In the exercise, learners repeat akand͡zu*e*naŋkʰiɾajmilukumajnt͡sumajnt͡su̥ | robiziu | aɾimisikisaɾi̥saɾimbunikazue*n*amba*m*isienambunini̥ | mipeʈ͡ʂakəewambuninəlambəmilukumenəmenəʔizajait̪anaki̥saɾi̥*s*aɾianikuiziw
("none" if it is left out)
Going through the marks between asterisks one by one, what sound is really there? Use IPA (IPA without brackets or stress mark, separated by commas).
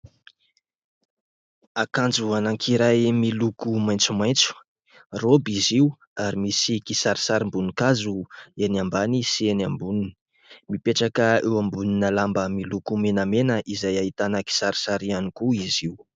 a, n, n, s